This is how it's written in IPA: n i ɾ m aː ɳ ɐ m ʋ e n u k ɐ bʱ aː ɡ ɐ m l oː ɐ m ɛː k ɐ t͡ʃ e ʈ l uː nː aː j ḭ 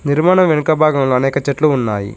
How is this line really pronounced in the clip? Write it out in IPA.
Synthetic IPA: n i ɾ m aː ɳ ɐ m ʋ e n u k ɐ bʱ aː ɡ ɐ m l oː ɐ n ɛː k ɐ t͡ʃ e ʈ l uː nː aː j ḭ